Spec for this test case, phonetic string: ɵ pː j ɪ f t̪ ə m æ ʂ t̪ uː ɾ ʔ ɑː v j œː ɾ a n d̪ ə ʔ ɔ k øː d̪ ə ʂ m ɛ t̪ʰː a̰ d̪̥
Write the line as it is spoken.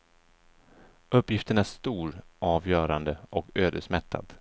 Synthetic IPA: ɵ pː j ɪ f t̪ ə ɳ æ ʂ t̪ uː ɾ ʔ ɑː v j œː ɾ a n d̪ ə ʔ ɔ k øː d̪ ə ʂ m ɛ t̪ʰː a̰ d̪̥